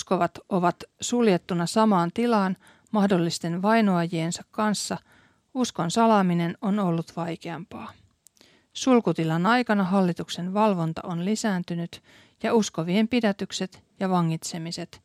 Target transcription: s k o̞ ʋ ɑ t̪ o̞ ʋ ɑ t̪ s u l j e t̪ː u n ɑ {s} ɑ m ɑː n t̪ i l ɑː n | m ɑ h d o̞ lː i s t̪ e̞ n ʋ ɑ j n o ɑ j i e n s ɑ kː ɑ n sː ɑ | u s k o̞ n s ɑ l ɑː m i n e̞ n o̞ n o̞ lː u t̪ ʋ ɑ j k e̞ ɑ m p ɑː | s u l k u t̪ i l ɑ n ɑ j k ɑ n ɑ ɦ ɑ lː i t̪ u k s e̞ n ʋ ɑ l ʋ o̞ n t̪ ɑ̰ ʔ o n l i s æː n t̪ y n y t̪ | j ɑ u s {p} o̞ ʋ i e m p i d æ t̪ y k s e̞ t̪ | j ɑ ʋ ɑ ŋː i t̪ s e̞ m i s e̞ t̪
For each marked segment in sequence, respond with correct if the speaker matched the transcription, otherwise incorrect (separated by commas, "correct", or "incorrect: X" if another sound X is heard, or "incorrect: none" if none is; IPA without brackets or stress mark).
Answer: correct, incorrect: k